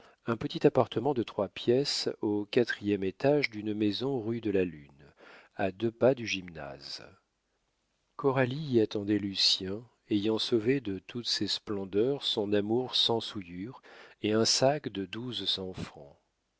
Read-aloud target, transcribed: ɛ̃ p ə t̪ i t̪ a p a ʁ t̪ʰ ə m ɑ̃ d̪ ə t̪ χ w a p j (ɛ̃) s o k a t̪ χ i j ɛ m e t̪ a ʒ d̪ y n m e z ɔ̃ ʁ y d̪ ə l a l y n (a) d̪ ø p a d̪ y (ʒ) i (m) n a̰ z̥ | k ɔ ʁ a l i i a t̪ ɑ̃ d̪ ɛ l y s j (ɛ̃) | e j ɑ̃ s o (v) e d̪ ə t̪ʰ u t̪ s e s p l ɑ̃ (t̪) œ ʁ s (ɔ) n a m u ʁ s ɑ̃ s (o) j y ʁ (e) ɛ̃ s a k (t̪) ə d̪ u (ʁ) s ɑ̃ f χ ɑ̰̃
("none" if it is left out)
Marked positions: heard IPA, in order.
ɛ, a, ʒ, m, ɛ̃, v, d̪, ɔ̃, u, e, d̪, z

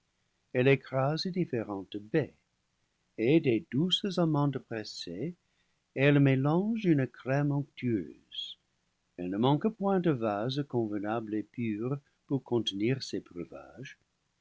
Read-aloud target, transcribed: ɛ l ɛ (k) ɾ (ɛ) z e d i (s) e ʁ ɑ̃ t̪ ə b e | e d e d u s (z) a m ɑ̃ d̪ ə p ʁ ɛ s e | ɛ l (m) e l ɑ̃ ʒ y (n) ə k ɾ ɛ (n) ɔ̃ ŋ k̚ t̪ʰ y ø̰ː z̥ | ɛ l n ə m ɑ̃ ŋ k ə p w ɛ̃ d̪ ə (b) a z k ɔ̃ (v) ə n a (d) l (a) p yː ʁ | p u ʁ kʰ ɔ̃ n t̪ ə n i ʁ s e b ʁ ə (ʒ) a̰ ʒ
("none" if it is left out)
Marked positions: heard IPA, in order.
k, a, f, z, m, n, m, v, v, b, e, v

